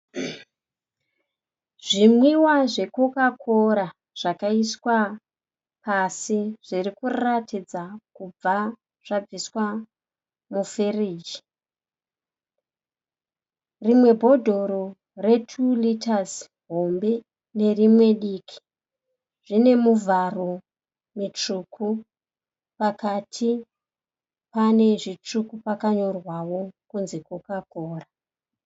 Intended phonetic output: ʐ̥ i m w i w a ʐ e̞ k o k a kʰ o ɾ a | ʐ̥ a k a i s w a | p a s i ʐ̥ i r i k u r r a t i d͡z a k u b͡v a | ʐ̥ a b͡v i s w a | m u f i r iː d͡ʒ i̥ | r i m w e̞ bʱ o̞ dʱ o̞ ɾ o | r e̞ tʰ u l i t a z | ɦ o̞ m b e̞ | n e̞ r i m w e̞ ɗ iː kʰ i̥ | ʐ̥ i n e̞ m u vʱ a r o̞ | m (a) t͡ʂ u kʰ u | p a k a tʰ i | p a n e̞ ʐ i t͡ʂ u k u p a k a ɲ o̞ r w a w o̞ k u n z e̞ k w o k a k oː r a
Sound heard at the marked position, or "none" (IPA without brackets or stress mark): i